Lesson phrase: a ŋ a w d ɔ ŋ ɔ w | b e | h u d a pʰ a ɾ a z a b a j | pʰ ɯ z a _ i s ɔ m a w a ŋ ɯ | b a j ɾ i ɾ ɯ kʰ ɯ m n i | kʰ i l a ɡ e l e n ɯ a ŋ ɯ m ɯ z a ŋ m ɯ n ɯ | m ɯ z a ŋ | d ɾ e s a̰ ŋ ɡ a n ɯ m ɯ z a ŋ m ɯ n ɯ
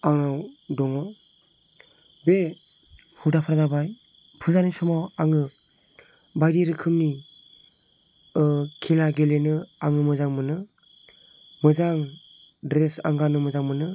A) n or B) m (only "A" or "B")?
A